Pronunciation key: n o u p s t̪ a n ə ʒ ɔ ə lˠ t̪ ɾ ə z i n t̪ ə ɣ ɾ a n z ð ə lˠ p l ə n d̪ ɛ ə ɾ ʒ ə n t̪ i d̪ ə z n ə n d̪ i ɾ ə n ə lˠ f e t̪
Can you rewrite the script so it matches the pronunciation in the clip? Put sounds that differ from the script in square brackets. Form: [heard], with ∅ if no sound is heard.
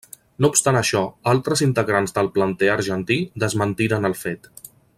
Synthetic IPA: n o u p s t̪ a n ə [ʃ] ɔ [a] lˠ t̪ ɾ ə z i n t̪ ə ɣ ɾ a n z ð ə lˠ p l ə n [t̪] ɛ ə ɾ ʒ ə n t̪ i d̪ ə z [m] ə n [t̪] i ɾ ə n ə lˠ f e t̪